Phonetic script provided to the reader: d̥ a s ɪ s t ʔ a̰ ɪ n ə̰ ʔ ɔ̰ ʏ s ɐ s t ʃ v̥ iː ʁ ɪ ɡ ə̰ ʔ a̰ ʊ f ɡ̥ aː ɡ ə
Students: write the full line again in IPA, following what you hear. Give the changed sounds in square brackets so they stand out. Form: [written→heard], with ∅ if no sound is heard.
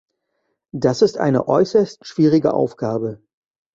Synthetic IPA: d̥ a s ɪ s t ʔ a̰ ɪ n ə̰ ʔ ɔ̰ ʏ s ɐ s t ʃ v̥ iː ʁ ɪ ɡ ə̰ ʔ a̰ ʊ f ɡ̥ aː [ɡ→b] ə